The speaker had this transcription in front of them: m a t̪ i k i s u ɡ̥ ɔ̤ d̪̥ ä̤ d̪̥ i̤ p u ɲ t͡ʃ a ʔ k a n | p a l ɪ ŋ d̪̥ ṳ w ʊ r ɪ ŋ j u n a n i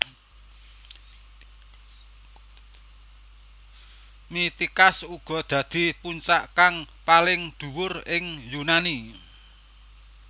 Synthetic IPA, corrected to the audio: m i t̪ i k a s u ɡ̥ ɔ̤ d̪̥ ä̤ d̪̥ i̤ p u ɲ t͡ʃ a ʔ k a ŋ | p a l ɪ ŋ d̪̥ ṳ w ʊ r ɪ ŋ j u n a n i